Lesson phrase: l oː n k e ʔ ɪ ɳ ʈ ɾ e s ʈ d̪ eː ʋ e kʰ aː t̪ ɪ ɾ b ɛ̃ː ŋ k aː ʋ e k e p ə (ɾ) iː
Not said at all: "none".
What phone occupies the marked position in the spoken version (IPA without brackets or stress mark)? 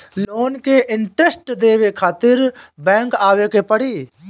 ɽ